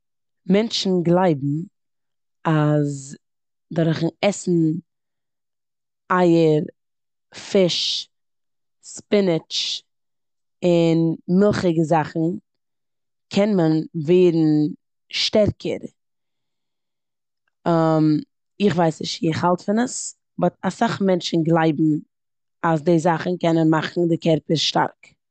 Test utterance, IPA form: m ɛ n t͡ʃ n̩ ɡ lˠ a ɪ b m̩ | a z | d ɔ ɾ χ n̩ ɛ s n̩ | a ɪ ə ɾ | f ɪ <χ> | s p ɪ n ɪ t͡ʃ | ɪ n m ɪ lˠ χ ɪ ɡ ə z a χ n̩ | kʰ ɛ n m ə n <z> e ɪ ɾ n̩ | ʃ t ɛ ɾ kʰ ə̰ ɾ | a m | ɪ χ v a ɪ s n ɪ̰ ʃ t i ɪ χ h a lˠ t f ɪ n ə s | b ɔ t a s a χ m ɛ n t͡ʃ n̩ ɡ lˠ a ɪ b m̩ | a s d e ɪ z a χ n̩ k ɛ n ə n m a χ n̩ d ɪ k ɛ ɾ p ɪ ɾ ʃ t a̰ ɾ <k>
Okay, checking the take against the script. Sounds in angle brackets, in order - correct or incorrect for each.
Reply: incorrect: ʃ, incorrect: v, correct

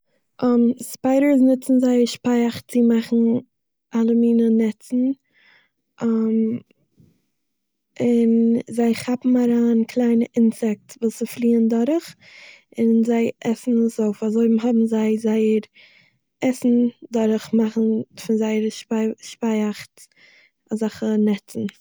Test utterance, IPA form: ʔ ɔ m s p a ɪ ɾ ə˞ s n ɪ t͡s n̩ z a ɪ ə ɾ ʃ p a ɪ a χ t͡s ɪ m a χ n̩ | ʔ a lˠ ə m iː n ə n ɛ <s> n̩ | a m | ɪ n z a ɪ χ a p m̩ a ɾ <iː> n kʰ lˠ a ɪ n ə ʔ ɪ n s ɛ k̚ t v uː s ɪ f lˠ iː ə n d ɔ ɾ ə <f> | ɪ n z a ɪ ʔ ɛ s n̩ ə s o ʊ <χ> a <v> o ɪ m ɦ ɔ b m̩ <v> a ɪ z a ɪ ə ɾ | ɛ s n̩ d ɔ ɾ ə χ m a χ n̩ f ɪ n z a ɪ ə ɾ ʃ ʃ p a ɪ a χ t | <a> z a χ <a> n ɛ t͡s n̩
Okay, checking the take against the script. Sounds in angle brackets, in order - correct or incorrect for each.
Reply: incorrect: t͡s, incorrect: aː, incorrect: χ, incorrect: f, incorrect: z, incorrect: z, correct, incorrect: ə

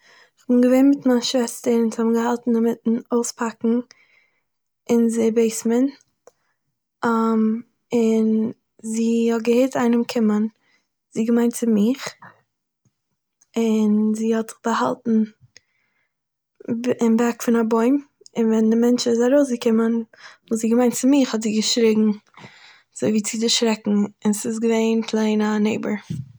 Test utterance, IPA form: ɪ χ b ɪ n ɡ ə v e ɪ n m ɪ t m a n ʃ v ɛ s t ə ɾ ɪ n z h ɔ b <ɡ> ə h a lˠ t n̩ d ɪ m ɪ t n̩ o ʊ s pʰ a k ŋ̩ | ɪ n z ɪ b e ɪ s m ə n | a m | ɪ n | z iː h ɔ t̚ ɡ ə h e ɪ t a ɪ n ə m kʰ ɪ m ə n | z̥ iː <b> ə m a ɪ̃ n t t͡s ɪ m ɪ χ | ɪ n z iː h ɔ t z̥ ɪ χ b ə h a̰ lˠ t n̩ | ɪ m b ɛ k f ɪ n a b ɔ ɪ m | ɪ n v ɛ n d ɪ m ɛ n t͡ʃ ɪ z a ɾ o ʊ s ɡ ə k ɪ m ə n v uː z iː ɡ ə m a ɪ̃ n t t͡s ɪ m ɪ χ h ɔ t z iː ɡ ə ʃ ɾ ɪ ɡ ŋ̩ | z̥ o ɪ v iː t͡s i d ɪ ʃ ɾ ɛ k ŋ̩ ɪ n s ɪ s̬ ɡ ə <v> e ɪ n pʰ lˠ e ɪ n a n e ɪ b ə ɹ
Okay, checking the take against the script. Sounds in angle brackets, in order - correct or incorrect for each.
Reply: correct, incorrect: ɡ, correct

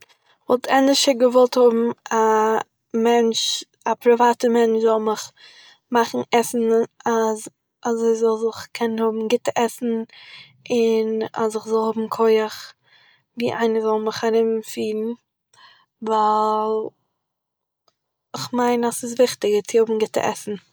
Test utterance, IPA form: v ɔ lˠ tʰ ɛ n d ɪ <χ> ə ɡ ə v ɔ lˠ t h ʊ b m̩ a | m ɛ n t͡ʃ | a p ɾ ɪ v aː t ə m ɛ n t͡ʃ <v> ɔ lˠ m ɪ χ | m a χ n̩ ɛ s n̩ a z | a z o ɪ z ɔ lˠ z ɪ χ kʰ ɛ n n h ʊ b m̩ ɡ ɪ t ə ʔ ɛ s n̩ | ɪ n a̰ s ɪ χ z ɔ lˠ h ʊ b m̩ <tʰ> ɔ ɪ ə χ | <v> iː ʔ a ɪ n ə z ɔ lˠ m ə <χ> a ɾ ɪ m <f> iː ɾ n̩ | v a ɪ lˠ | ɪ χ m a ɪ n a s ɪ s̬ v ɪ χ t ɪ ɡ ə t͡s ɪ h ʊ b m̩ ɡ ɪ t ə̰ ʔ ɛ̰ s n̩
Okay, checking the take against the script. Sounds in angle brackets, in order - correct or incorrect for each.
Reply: incorrect: ʃ, incorrect: z, incorrect: kʰ, correct, correct, correct

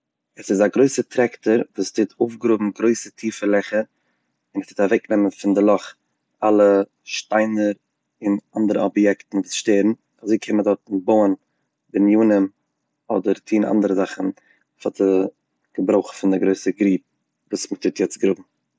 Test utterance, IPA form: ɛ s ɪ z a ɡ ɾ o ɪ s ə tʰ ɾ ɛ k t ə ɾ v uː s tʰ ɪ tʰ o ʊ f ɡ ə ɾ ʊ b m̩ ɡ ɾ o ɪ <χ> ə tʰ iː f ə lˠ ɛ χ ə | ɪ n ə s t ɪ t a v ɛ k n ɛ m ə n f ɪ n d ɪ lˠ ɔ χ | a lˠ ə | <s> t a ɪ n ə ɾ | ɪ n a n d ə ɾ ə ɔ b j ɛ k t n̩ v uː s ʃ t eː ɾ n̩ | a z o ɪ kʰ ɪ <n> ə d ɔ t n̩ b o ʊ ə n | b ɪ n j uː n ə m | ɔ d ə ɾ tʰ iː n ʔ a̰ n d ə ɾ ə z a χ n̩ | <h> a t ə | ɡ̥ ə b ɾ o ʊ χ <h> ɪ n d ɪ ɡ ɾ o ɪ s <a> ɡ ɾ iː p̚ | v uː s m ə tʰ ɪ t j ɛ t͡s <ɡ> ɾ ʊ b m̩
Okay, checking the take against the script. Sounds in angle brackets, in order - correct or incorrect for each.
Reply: incorrect: s, incorrect: ʃ, incorrect: m, incorrect: f, incorrect: f, incorrect: ə, correct

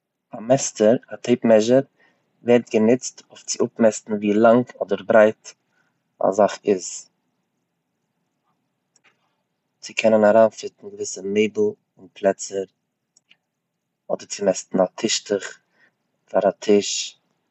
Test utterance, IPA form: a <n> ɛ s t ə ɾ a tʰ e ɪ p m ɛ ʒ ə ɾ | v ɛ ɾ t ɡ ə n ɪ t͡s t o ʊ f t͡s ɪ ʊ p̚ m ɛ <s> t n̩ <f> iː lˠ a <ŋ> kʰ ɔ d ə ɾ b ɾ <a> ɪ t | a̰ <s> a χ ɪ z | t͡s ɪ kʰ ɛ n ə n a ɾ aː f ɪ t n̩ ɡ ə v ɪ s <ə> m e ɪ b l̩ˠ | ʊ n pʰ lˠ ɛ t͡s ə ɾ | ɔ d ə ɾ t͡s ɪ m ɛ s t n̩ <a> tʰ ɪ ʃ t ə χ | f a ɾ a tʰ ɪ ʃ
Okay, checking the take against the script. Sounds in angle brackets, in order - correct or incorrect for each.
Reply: incorrect: m, correct, incorrect: v, correct, correct, incorrect: z, correct, correct

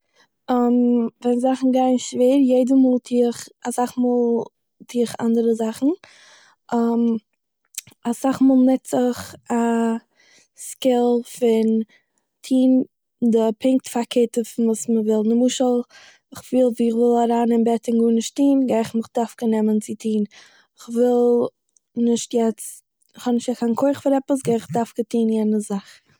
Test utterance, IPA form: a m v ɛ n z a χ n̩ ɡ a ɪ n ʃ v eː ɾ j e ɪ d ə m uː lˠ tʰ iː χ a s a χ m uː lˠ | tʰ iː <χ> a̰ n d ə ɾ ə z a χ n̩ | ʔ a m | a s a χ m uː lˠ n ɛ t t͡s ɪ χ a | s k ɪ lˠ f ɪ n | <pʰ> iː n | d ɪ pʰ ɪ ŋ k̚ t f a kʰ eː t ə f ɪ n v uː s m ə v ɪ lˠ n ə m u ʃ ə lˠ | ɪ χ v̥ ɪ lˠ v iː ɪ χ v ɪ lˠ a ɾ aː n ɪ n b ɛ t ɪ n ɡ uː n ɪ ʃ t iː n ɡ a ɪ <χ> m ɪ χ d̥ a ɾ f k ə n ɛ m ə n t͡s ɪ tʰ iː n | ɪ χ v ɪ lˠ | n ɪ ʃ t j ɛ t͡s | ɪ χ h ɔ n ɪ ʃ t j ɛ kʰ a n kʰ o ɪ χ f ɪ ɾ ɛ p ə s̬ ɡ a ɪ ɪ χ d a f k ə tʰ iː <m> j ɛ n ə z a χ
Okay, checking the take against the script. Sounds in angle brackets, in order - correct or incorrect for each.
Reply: correct, incorrect: tʰ, correct, incorrect: n

